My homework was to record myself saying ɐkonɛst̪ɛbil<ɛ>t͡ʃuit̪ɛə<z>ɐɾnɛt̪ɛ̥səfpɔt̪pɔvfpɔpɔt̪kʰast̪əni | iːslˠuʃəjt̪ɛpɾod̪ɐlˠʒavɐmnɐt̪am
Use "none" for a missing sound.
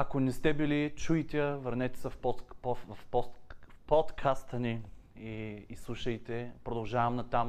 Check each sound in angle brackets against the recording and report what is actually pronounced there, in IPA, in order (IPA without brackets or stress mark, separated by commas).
i, v